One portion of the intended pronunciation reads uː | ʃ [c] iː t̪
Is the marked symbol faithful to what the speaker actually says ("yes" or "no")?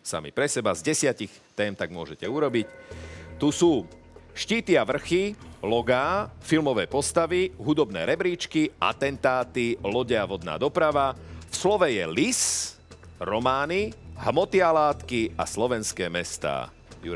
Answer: yes